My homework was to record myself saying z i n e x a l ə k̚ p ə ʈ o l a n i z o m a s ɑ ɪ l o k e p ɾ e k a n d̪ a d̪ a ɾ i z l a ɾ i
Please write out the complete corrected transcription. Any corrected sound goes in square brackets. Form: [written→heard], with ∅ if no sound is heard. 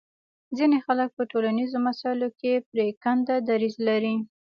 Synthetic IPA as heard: z i n e x a l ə k̚ p ə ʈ o l a n i z o m a s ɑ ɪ l o k e p ɾ e k a n d̪ a d̪ a ɾ i z l a ɾ i